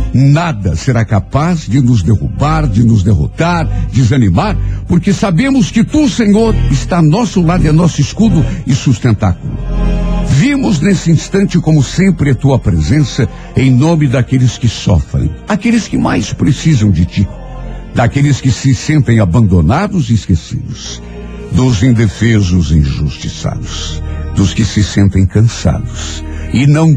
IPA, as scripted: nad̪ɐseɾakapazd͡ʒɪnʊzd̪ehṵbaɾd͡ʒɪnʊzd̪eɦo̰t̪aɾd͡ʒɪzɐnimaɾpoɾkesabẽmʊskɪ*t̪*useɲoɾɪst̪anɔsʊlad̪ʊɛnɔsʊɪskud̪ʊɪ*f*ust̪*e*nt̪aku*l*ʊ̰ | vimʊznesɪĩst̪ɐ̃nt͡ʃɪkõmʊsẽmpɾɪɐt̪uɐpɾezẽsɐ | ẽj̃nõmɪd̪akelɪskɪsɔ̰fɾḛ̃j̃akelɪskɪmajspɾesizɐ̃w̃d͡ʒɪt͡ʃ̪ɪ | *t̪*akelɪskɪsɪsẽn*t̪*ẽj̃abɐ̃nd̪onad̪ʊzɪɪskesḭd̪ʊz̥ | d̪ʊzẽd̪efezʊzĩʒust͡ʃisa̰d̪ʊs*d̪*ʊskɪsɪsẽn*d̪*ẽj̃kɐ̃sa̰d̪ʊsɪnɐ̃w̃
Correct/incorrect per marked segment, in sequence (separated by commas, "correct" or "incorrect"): correct, incorrect, incorrect, correct, incorrect, correct, correct, incorrect